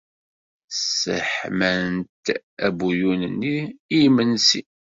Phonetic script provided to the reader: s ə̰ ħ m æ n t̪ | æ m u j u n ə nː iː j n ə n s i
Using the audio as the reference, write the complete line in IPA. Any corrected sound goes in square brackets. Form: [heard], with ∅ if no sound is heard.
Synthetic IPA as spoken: s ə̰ ħ m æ n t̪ | æ [b] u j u n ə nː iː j [m] ə n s i